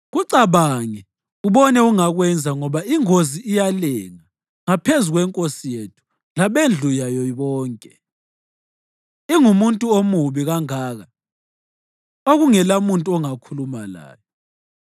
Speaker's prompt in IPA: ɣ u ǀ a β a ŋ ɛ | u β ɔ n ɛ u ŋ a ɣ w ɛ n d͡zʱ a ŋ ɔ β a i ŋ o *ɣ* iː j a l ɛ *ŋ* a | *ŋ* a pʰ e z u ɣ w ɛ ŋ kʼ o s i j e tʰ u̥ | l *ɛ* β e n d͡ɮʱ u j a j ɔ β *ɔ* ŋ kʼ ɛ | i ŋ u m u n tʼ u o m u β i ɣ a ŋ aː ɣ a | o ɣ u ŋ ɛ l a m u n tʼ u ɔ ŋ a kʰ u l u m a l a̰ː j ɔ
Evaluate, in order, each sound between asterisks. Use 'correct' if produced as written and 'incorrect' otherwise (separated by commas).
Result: incorrect, correct, correct, incorrect, incorrect